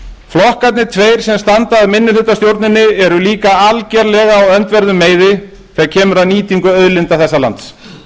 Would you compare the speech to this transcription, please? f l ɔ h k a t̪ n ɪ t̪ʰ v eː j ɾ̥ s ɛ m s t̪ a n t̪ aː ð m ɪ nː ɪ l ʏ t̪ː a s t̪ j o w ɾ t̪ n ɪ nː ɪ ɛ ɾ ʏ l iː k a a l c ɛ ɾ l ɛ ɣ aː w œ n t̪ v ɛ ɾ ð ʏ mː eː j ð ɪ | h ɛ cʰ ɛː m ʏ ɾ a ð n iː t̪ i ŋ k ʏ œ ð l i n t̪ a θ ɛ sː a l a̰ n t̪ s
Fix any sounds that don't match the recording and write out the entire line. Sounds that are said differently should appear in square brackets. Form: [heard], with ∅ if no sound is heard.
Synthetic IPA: f l ɔ h k a t̪ n ɪ t̪ʰ v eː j ɾ̥ s ɛ m s t̪ a n t̪ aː ð m ɪ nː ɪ l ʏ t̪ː a s t̪ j o w ɾ t̪ n ɪ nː ɪ ɛ ɾ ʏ l iː k a a l c ɛ ɾ l ɛ ɣ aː w œ n t̪ v ɛ ɾ ð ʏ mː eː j ð ɪ | [θ] ɛ cʰ ɛː m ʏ ɾ a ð n iː t̪ i ŋ k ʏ œ ð l [ɪ] n t̪ a θ ɛ sː a l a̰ n t̪ s